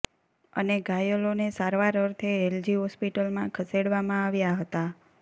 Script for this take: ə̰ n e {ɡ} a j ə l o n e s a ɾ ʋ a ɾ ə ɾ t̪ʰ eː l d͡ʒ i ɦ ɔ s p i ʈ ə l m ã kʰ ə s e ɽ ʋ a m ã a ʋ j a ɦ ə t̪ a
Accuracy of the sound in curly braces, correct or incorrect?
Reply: correct